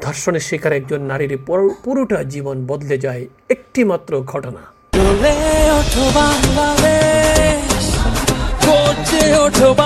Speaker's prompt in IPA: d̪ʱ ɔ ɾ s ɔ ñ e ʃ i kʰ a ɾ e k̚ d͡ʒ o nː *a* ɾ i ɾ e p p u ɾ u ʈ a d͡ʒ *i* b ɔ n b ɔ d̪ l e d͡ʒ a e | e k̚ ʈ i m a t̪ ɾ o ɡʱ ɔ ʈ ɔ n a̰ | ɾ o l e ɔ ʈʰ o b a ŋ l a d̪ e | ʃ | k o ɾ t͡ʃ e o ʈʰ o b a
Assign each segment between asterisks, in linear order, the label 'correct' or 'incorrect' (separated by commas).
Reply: correct, correct